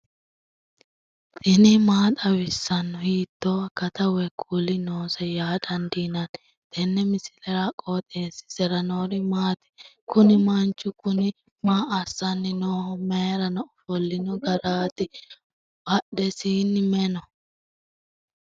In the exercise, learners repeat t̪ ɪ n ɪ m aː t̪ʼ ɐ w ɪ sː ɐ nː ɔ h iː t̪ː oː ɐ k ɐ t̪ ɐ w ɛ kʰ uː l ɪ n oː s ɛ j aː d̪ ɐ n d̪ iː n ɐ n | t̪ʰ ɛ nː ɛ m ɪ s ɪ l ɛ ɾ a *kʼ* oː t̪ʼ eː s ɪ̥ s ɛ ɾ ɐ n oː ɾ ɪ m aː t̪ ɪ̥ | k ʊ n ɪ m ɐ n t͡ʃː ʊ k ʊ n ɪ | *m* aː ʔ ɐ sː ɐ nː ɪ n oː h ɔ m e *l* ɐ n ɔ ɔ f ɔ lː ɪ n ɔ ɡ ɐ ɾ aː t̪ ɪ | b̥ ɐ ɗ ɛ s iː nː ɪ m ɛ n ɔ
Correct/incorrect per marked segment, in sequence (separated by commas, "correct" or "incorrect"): correct, correct, incorrect